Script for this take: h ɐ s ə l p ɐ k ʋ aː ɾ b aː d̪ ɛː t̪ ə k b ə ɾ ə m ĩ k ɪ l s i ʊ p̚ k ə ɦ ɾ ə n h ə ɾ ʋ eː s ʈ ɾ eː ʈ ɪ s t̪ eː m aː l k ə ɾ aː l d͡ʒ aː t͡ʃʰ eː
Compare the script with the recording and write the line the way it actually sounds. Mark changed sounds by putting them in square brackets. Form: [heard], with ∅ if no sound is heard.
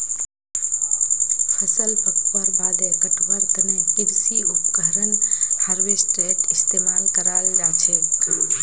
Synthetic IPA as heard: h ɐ s ə l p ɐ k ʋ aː ɾ b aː d̪ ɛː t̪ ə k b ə ɾ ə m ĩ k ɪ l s i ʊ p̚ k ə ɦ ɾ ə n h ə ɾ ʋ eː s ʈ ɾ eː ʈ ɪ s t̪ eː m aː l k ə ɾ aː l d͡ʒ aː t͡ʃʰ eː